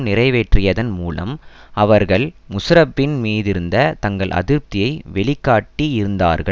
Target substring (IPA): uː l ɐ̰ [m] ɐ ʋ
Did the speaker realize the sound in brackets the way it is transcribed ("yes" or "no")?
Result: yes